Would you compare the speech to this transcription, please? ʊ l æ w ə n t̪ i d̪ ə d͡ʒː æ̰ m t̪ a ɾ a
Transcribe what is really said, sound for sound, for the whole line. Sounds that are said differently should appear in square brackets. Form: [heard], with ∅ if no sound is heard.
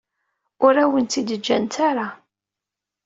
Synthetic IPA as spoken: ʊ [ɾ] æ w ə n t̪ i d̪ ə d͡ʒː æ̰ [n] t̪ a ɾ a